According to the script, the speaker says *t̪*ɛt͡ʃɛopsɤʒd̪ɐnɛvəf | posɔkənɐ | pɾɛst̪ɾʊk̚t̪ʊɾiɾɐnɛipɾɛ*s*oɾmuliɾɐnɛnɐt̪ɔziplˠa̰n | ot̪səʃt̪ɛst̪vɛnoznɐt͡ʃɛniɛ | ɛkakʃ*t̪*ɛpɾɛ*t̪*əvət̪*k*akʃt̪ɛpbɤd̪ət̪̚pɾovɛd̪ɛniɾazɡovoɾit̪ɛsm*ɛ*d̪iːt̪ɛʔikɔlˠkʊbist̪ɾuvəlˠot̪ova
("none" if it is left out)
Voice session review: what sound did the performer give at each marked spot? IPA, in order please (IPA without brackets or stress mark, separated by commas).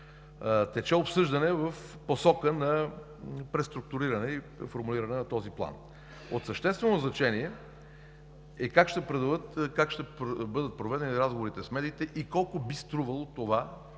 t̪, f, t̪, d̪, k, ɛ